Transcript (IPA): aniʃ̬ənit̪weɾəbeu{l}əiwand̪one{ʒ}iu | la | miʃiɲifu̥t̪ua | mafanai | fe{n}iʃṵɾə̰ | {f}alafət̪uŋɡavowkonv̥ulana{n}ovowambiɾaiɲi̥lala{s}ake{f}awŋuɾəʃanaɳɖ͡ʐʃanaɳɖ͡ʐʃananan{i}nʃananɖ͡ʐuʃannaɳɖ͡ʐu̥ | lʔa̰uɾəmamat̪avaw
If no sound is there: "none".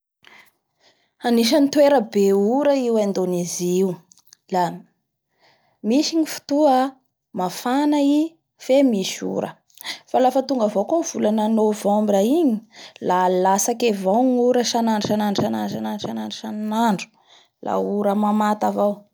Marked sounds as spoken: ɾ, z, m, f, n, s, v, a

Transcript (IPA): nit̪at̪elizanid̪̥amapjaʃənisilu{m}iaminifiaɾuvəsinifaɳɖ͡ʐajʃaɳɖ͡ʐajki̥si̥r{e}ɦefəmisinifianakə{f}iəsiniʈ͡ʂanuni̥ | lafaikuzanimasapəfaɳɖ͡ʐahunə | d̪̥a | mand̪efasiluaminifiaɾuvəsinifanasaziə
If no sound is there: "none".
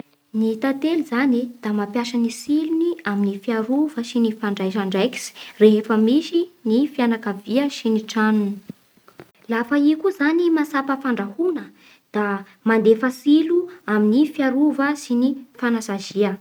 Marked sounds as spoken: n, e, v

